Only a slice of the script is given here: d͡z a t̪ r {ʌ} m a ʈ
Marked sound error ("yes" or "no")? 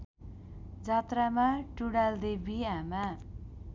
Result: yes